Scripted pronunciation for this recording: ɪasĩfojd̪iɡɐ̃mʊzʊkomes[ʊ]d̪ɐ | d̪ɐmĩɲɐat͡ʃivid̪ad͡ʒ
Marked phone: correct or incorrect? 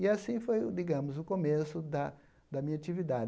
correct